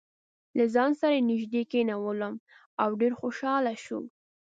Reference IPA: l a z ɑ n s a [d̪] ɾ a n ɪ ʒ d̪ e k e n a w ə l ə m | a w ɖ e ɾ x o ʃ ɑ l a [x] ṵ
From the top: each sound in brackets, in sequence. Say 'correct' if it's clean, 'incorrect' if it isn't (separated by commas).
incorrect, incorrect